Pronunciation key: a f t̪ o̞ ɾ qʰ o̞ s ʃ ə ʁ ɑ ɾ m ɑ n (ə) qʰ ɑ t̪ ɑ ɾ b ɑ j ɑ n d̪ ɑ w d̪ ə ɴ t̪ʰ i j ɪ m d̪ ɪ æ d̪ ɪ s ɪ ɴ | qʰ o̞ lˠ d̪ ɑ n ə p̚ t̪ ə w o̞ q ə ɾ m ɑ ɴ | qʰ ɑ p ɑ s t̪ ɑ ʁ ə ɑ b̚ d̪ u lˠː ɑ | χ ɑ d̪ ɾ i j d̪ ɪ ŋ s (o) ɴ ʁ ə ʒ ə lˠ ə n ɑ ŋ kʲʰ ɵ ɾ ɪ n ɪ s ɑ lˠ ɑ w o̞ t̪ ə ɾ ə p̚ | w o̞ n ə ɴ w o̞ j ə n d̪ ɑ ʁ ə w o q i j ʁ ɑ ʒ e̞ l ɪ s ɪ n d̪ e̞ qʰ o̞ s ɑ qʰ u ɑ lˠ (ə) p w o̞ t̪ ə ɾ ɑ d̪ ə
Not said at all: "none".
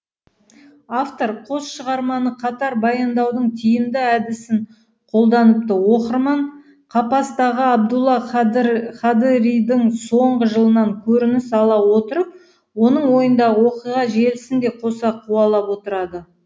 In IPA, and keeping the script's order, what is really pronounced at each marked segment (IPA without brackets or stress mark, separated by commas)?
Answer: ə, o, ɑ